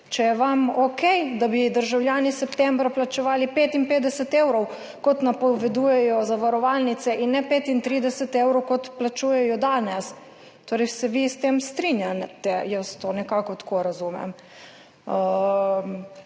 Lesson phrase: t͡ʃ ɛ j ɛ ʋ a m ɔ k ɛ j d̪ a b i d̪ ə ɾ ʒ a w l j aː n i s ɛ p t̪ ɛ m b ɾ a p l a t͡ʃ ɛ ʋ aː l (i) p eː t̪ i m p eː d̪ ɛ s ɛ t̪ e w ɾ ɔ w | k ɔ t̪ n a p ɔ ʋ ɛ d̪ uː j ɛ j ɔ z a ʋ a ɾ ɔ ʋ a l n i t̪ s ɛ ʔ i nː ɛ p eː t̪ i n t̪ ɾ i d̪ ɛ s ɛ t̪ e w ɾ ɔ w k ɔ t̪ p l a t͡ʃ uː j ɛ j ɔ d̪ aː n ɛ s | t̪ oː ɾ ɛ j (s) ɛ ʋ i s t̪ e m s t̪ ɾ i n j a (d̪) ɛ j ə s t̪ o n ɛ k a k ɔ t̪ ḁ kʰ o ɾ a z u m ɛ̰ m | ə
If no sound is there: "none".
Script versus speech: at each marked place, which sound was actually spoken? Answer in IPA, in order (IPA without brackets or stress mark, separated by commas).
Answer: i, s, t̪